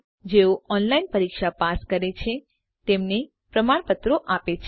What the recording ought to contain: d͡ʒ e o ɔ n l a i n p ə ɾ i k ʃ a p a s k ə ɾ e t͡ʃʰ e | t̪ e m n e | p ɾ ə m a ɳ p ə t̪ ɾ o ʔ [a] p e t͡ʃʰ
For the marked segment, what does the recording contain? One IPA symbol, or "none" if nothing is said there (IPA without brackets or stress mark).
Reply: a